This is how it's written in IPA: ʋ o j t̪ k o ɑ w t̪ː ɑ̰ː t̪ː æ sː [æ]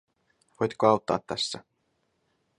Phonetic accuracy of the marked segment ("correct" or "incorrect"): correct